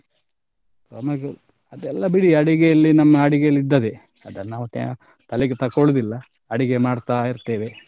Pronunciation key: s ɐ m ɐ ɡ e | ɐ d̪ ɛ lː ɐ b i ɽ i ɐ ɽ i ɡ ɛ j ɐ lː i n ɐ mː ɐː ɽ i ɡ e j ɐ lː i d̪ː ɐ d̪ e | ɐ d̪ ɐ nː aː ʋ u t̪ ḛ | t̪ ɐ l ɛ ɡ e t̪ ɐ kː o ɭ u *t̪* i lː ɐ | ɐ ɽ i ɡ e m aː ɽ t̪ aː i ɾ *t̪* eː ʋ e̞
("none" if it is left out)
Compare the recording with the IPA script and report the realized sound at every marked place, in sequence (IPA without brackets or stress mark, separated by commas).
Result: d̪, t̪